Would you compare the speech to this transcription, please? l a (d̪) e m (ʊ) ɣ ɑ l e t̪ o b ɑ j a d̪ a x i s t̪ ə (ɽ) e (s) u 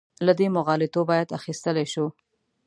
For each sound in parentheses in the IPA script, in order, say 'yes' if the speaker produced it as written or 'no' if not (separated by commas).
yes, yes, no, no